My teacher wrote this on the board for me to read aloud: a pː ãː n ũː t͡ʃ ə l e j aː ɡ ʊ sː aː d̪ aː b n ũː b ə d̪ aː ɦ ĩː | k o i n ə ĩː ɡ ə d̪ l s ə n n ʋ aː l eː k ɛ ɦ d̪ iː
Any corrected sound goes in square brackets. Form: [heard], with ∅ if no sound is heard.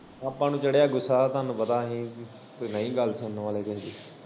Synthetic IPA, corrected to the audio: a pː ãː n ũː t͡ʃ ə [ɽ] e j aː ɡ ʊ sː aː [t̪] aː [∅] n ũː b ə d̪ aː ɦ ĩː | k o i n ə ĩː ɡ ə [∅] l s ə n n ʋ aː l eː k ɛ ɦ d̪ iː